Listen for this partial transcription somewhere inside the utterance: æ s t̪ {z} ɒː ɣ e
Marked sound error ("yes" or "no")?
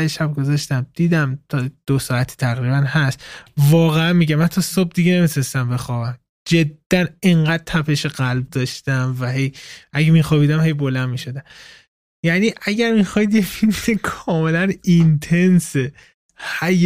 yes